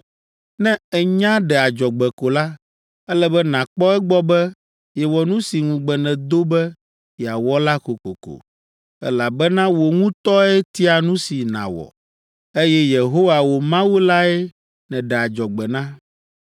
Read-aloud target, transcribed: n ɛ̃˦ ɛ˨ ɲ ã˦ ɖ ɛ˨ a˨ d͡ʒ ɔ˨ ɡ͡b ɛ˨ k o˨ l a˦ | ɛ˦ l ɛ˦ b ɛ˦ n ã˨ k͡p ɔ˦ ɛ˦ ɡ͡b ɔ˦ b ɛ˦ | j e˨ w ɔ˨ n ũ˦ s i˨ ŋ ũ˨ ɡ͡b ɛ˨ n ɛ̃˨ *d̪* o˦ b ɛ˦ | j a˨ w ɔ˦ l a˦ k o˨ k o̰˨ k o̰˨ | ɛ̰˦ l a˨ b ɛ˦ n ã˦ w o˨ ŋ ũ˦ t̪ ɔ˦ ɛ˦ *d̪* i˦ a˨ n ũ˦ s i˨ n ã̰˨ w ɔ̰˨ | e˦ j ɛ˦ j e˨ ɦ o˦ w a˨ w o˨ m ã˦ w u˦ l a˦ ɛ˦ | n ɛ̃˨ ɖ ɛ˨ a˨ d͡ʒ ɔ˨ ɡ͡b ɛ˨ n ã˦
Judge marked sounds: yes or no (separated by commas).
yes, no